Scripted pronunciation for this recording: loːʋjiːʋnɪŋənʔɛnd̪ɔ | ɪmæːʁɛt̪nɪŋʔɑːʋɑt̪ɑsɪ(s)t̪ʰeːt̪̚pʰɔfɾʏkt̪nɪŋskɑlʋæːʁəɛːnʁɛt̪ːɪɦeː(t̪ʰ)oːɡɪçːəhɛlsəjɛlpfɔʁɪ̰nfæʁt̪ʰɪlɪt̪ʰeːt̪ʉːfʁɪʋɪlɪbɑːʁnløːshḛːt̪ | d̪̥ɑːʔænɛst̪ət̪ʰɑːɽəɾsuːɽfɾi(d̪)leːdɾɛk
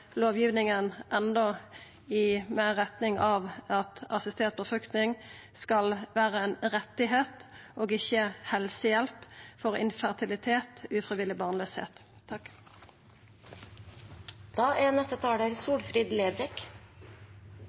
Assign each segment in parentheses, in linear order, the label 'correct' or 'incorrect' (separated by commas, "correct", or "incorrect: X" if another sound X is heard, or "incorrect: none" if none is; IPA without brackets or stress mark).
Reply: correct, incorrect: t̪, correct